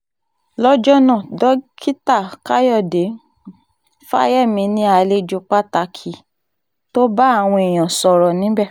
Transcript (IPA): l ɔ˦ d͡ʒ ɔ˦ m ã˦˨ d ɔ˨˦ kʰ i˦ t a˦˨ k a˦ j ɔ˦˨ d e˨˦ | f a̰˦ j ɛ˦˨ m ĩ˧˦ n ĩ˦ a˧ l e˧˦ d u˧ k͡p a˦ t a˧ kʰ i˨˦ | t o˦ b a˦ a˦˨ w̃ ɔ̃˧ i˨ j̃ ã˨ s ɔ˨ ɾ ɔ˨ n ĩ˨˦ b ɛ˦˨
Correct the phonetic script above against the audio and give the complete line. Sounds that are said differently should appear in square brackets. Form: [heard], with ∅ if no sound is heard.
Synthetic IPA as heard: l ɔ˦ d͡ʒ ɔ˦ [n] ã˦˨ d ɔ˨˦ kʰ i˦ t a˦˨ k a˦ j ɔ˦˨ d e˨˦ | f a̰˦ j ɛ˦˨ m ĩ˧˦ n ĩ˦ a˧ l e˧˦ [d͡ʒ] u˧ k͡p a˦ t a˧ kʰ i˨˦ | t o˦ b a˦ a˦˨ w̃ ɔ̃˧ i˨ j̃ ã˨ s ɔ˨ ɾ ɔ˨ n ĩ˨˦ b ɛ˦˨